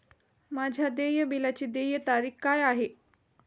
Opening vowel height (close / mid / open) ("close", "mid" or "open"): open